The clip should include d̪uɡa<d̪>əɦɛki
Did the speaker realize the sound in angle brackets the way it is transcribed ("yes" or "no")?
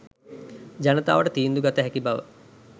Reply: no